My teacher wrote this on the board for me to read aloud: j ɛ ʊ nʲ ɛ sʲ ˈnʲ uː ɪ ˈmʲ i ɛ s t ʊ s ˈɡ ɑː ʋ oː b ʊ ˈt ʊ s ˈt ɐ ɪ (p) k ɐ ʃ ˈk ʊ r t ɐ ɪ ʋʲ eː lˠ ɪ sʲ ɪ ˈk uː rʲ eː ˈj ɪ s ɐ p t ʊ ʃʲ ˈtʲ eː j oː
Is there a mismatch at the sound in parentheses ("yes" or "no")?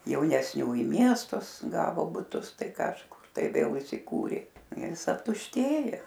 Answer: yes